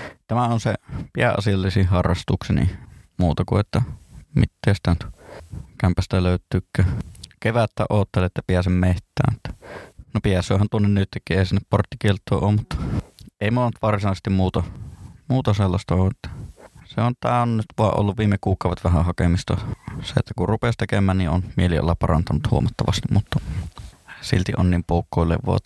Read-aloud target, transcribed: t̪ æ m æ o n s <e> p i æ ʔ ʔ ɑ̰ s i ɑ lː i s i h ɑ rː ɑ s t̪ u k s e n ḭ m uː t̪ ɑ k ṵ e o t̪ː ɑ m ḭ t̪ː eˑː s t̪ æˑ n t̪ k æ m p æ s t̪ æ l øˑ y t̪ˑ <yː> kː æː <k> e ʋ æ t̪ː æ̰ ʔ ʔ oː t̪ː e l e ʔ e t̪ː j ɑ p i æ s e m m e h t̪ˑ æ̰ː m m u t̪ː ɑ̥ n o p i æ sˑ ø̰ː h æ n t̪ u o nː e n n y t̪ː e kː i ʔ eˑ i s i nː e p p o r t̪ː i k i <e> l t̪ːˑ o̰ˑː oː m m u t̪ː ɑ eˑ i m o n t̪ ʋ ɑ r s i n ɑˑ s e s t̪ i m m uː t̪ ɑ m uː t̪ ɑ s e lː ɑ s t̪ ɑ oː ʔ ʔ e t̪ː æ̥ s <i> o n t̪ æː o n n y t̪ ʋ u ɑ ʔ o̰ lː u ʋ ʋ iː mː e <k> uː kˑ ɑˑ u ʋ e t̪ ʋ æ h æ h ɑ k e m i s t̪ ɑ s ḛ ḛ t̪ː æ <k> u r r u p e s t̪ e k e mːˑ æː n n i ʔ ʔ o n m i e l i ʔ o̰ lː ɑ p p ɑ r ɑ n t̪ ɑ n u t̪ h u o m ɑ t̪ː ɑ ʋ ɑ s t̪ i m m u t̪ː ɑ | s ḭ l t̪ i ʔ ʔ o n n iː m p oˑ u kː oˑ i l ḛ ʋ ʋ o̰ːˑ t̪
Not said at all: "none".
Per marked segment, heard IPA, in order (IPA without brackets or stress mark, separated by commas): e, yː, k, e, e, k, k